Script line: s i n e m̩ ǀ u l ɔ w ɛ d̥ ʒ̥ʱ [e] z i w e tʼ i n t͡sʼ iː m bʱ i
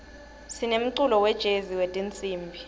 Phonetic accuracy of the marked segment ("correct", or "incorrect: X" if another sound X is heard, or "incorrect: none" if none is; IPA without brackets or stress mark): correct